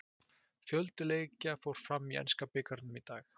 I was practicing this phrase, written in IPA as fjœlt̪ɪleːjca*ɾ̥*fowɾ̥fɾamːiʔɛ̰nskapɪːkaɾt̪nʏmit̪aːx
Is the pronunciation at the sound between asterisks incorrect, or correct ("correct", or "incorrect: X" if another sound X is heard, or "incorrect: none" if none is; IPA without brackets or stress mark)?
incorrect: none